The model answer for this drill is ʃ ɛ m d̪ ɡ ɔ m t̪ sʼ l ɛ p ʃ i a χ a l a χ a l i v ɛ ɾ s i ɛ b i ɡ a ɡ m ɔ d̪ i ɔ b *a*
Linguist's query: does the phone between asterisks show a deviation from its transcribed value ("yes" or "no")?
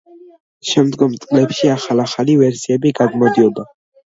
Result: no